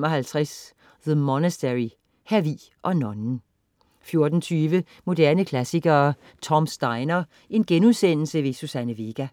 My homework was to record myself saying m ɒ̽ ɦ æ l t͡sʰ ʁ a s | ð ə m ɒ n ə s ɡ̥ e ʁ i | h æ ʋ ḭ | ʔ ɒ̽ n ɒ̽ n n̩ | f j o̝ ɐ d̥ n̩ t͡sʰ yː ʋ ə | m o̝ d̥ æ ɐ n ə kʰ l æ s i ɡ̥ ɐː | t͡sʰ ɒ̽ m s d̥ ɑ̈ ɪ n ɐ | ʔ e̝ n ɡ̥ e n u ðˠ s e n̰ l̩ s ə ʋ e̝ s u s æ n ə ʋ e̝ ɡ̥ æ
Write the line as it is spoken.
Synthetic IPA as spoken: m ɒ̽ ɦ æ l t͡sʰ ʁ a s | ð ə m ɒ n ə s d̥ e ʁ i | h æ ʋ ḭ | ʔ ɒ̽ n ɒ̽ n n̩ | f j o̝ ɐ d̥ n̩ t͡sʰ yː ʋ ə | m o̝ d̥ æ ɐ n ə kʰ l æ s i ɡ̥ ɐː | t͡sʰ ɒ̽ m s d̥ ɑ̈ ɪ n ɐ | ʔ e̝ n ɡ̥ e n u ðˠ s e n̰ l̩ s ə ʋ e̝ s u s æ n ə ʋ e̝ ɡ̥ æ